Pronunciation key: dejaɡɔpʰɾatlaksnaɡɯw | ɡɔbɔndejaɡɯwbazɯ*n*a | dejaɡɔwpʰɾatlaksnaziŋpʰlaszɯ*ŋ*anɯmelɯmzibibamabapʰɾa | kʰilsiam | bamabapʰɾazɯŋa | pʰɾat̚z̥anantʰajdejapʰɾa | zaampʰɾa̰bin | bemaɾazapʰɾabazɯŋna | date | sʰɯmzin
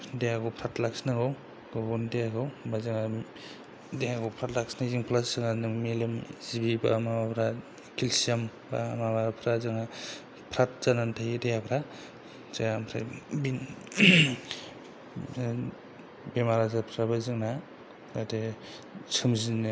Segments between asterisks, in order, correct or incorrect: incorrect, correct

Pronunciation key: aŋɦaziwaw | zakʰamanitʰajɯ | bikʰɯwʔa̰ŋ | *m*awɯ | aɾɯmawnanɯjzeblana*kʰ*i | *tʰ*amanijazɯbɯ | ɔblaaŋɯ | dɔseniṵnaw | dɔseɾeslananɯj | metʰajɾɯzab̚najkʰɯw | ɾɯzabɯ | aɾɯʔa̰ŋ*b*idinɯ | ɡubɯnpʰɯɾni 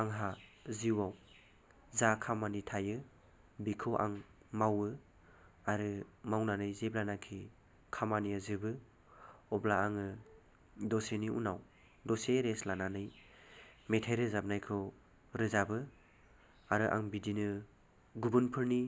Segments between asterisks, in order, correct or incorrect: correct, correct, incorrect, correct

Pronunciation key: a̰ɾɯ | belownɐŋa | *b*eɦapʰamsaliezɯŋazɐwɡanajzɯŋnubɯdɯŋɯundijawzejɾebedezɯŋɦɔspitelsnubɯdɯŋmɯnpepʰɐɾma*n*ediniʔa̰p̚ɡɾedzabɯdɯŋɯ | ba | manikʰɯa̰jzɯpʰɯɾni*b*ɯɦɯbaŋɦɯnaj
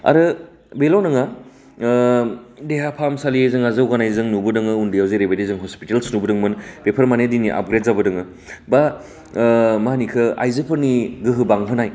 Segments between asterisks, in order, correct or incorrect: incorrect, correct, incorrect

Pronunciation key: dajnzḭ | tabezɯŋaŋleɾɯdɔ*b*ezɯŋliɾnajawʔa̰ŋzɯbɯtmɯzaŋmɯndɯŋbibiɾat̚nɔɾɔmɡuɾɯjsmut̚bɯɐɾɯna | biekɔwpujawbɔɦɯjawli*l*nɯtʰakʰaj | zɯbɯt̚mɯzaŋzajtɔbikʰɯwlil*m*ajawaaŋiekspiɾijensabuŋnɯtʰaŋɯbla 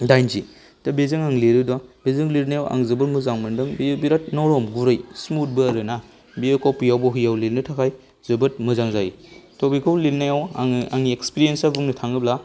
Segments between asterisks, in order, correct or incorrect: correct, correct, incorrect

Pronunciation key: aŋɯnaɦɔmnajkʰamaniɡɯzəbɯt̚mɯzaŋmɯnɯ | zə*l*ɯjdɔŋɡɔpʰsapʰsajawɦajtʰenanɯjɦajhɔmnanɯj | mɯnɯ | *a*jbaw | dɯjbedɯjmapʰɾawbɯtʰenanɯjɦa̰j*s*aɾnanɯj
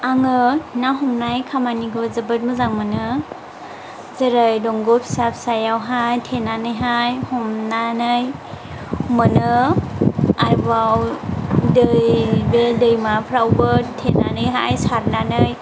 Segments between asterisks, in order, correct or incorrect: incorrect, correct, correct

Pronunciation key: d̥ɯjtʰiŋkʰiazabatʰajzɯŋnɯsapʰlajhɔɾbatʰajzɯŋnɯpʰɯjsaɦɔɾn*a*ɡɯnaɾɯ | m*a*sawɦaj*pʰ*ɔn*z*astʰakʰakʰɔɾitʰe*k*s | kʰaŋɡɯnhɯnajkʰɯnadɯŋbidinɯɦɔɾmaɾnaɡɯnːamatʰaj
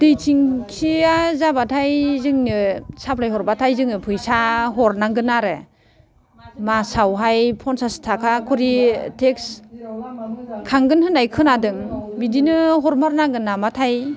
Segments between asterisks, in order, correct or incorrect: correct, correct, correct, incorrect, correct

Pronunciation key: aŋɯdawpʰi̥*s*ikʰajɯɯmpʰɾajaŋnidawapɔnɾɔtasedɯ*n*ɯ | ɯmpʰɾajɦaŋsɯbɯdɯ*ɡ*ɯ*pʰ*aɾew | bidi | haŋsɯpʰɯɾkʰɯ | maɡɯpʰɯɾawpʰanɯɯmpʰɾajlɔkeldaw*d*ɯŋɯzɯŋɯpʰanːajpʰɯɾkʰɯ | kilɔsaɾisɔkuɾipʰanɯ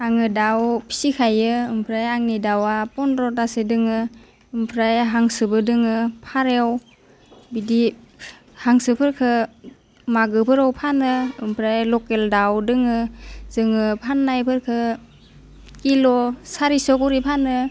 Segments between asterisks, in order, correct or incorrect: correct, incorrect, incorrect, correct, correct

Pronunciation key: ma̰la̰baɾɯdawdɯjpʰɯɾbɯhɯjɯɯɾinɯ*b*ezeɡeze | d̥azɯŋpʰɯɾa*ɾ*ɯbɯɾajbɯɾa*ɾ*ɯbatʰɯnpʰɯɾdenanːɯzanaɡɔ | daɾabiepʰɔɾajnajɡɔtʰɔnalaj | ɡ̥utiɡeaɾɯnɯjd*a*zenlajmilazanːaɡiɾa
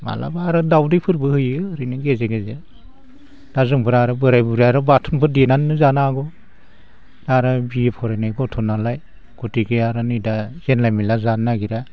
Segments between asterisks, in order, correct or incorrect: incorrect, correct, correct, correct

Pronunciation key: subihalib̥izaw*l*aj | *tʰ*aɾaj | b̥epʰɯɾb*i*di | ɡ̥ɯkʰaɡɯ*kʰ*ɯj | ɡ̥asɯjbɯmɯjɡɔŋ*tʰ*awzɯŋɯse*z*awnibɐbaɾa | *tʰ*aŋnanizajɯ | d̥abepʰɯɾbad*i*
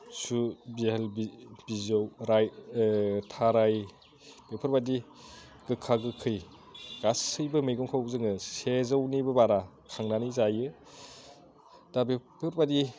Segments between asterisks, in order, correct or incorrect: incorrect, correct, incorrect, correct, incorrect, correct, incorrect, correct

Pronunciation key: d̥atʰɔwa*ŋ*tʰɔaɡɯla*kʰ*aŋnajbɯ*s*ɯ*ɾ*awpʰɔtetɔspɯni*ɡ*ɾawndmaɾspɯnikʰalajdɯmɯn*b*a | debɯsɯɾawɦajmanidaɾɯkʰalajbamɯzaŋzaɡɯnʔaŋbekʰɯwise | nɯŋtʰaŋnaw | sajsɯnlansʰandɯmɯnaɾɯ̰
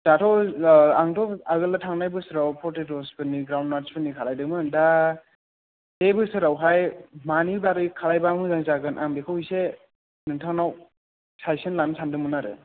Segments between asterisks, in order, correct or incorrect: correct, incorrect, correct, correct, correct, incorrect

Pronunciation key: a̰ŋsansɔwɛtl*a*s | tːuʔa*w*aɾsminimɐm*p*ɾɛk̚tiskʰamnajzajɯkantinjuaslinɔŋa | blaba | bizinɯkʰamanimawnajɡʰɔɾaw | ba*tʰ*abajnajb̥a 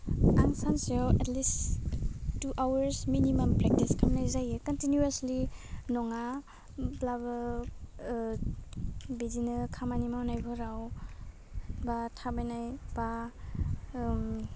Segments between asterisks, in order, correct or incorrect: incorrect, correct, correct, correct

